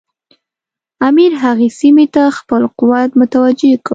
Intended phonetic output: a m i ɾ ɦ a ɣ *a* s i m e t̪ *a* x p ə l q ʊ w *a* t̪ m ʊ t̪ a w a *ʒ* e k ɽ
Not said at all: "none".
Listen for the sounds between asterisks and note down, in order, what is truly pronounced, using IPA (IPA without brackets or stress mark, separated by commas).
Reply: e, a, a, d͡ʒ